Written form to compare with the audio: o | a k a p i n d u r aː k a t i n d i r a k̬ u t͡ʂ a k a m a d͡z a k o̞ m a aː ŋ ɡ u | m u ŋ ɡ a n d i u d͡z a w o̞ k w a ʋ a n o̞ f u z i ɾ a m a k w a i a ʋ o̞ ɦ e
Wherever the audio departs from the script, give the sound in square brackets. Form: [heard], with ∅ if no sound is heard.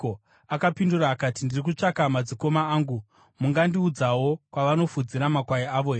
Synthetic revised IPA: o | a k a p i n d u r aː k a t i n d i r [i] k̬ u t͡ʂ a k a m a d͡z [i] k o̞ m a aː ŋ ɡ u | m u ŋ ɡ a n d i u d͡z a w o̞ k w a ʋ a n o̞ f u [d͡z] i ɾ a m a k w a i a ʋ o̞ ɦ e